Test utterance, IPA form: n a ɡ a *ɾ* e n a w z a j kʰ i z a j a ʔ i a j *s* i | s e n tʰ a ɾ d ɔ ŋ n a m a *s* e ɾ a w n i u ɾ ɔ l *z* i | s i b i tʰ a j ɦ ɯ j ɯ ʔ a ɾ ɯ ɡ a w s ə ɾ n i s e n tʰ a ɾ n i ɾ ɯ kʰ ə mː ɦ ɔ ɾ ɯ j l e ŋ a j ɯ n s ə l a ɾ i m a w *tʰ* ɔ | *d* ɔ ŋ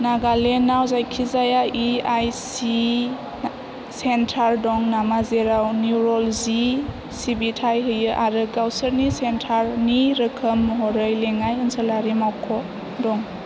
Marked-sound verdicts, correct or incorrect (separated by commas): incorrect, correct, incorrect, correct, incorrect, correct